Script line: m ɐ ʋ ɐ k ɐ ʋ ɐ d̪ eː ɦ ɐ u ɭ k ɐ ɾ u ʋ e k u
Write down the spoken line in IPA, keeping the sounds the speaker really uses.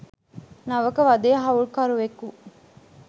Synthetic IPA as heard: n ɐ ʋ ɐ k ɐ ʋ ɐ d̪ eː ɦ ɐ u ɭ k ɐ ɾ u ʋ e k u